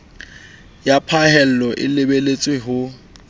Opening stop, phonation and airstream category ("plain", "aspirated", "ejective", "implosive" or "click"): aspirated